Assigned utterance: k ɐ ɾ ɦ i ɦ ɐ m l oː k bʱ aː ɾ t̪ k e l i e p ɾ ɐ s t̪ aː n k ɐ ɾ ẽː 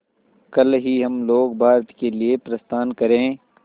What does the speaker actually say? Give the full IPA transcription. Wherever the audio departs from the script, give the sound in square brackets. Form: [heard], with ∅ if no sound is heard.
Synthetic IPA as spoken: k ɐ [l] ɦ i ɦ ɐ m l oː [ɡ] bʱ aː ɾ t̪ k e l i e p ɾ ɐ s t̪ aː n k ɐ ɾ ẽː